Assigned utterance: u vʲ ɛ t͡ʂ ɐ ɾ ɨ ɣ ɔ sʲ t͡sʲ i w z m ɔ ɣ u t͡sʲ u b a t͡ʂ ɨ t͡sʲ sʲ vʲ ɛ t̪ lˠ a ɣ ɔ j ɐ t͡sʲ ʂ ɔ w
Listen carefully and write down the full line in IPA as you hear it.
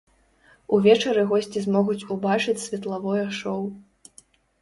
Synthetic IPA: u vʲ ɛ t͡ʂ ɐ ɾ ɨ ɣ ɔ sʲ t͡sʲ i z m ɔ ɣ u t͡sʲ u b a t͡ʂ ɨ t͡sʲ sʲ vʲ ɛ t̪ lˠ a v ɔ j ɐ ʂ ɔ w